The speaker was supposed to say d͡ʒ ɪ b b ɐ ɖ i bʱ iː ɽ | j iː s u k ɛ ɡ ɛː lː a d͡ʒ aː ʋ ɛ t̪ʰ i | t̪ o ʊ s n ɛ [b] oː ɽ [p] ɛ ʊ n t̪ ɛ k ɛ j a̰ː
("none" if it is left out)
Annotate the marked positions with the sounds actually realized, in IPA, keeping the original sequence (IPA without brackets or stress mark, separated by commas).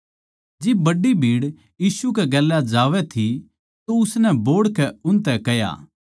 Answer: b, k